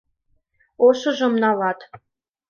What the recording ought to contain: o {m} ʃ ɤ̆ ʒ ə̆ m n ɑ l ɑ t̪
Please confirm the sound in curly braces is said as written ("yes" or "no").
no